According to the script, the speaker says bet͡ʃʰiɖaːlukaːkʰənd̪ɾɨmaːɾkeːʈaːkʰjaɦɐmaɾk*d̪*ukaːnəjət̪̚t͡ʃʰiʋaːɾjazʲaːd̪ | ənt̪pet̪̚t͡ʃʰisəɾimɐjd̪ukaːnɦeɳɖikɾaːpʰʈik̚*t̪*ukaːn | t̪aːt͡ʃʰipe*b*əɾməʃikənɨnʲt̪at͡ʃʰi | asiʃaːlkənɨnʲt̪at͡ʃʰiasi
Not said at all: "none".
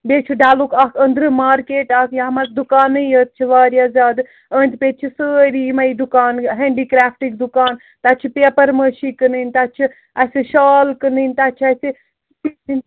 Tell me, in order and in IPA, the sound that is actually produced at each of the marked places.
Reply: d̪, d̪, p

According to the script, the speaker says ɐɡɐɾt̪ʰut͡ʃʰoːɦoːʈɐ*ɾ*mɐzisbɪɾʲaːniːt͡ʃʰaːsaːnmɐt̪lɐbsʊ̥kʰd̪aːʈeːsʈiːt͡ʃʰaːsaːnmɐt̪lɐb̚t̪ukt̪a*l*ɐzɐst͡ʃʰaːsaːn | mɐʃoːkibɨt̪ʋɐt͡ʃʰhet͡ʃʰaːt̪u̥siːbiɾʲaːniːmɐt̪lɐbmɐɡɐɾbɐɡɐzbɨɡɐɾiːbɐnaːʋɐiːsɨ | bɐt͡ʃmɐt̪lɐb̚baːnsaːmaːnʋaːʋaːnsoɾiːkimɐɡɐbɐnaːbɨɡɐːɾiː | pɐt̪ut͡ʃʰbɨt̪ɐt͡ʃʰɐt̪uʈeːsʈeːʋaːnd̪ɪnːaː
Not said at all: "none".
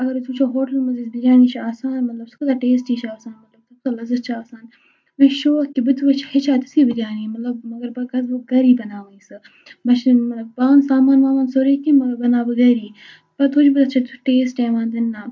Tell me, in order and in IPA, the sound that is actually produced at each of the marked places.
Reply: l, l

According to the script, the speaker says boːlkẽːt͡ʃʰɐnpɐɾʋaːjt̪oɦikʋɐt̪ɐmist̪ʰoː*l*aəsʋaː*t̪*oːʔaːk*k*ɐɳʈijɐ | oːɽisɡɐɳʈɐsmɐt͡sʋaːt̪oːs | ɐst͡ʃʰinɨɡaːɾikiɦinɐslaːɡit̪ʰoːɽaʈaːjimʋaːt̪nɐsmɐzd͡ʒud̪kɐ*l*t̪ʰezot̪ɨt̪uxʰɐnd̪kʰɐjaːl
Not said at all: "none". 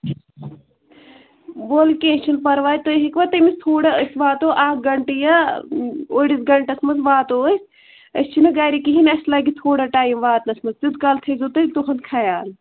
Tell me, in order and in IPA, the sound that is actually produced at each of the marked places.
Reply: ɽ, t̪, ɡ, l

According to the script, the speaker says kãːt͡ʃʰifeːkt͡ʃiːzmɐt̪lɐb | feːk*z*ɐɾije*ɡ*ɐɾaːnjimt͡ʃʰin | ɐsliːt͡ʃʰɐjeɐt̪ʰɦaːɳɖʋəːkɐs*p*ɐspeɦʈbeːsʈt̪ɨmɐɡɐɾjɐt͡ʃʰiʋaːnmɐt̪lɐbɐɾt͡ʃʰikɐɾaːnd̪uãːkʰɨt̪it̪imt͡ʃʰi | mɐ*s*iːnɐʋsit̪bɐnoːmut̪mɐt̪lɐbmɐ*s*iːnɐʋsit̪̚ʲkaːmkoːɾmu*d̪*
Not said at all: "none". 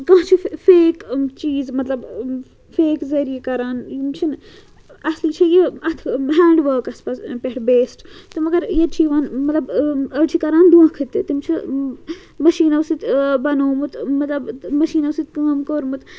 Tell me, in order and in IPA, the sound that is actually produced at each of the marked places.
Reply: z, k, p, ʃ, ʃ, t̪

